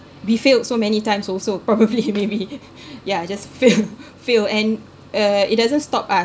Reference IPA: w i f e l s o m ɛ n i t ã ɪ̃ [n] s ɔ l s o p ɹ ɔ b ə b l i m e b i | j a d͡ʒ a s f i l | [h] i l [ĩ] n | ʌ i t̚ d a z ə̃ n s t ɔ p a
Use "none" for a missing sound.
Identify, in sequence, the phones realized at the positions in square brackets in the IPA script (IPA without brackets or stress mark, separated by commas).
m, f, ɛ̃